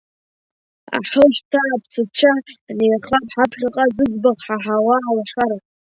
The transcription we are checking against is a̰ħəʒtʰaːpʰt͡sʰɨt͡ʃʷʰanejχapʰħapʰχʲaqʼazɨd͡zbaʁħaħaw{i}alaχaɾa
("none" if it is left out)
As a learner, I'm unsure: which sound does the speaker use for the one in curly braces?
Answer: a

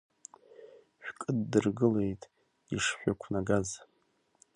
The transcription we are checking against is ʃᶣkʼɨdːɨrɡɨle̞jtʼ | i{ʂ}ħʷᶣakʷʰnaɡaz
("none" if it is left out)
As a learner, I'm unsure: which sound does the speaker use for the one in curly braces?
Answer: ʂ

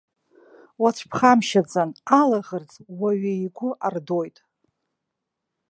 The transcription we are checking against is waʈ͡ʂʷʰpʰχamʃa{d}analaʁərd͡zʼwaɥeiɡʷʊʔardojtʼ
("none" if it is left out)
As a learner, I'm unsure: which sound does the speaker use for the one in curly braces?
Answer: d͡z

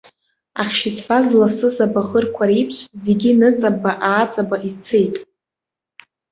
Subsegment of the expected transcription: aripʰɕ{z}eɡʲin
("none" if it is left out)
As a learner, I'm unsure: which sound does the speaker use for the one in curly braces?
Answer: z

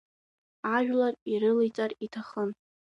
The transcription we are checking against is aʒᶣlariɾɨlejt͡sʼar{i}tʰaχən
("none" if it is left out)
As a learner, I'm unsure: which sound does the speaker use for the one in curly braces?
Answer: i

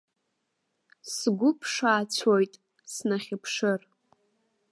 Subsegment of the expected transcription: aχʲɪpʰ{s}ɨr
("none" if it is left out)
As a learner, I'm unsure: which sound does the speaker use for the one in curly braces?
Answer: ʂ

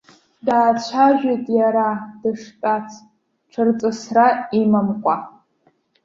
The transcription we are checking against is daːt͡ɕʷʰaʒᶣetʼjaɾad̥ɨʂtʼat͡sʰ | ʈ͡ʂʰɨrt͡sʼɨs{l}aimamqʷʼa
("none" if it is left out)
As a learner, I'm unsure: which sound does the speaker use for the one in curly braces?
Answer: r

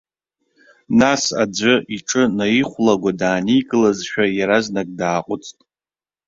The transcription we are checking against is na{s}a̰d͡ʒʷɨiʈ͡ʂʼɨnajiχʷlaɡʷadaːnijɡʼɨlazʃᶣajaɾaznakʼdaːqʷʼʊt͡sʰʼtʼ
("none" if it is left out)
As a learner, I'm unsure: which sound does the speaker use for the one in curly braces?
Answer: s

